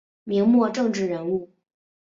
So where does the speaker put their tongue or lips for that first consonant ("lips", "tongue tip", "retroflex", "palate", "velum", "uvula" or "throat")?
lips